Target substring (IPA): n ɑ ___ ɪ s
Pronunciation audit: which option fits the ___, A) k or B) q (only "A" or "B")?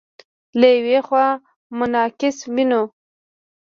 A